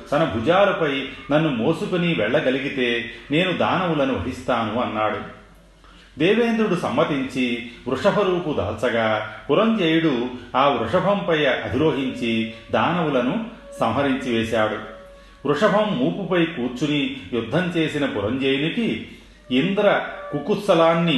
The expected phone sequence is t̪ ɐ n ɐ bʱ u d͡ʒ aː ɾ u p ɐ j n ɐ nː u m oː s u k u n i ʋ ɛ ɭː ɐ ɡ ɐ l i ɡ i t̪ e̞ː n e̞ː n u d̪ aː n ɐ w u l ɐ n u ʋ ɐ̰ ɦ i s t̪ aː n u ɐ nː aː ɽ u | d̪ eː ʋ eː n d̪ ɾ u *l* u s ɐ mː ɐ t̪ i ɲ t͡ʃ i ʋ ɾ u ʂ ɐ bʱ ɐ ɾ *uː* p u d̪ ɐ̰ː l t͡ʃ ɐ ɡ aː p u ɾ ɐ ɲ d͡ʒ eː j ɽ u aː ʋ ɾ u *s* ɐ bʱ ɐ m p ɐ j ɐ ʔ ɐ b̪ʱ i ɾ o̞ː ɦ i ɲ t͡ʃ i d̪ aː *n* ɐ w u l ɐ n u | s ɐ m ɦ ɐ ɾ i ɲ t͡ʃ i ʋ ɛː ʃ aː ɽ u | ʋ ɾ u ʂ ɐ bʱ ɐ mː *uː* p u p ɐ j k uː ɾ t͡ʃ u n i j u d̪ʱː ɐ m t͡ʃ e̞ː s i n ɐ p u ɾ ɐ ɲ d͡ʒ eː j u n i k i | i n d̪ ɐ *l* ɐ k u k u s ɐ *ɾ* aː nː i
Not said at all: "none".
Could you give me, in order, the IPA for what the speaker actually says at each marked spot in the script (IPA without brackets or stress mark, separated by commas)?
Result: ɽ, uː, ʂ, n, uː, ɾ, l